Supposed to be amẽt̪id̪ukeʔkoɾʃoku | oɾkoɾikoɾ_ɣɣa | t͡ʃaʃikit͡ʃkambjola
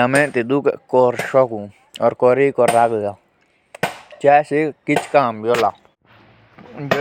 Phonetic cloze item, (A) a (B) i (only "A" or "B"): A